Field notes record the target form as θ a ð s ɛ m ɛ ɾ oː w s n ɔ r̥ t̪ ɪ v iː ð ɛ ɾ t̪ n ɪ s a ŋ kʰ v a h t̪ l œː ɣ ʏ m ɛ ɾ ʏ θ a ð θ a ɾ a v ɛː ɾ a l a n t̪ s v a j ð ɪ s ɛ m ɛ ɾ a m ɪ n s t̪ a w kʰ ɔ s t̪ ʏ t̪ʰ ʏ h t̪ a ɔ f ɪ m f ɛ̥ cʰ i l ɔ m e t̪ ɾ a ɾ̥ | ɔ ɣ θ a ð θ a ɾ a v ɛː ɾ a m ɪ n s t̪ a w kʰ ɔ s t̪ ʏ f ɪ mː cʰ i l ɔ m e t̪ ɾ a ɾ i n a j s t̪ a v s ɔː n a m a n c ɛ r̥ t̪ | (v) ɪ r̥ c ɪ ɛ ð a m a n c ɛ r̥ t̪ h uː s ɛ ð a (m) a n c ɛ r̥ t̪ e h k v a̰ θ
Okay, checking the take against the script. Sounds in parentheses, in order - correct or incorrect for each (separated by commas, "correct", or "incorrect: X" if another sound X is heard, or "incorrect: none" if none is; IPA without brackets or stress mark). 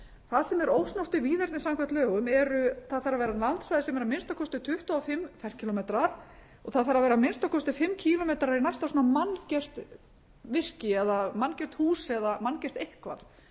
correct, correct